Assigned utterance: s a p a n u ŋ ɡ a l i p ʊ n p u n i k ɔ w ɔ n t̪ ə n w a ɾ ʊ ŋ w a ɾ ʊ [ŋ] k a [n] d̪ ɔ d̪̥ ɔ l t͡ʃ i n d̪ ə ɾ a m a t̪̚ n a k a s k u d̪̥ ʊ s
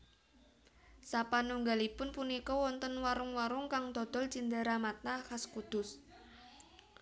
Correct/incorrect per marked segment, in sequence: correct, incorrect: ŋ

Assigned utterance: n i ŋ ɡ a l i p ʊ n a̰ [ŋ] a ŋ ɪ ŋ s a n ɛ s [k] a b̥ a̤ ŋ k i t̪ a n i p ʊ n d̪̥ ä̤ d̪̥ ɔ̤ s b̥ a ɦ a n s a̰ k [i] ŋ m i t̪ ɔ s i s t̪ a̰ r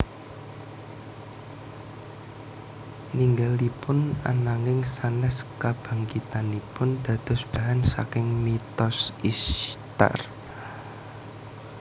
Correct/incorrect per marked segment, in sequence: incorrect: n, correct, incorrect: ɪ

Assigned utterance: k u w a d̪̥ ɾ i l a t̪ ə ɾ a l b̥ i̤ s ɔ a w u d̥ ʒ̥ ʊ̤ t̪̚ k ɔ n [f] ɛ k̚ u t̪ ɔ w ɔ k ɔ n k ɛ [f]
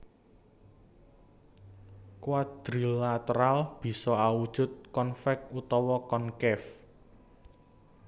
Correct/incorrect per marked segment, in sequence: correct, correct

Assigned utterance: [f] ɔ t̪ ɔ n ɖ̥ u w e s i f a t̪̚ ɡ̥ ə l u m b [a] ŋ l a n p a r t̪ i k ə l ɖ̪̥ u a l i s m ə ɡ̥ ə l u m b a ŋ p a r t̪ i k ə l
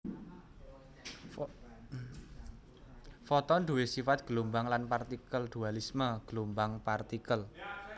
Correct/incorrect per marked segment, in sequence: correct, correct

